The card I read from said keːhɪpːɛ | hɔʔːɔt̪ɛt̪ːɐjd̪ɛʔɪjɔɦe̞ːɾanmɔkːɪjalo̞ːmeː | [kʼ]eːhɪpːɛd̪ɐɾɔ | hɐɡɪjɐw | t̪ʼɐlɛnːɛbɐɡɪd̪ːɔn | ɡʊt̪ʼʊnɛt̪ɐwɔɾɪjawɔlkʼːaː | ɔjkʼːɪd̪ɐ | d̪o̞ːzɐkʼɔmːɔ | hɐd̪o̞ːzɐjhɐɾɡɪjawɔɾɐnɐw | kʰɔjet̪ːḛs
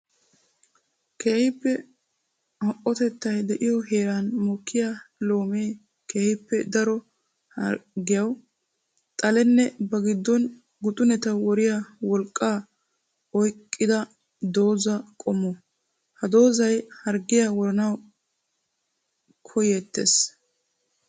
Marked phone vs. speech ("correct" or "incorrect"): incorrect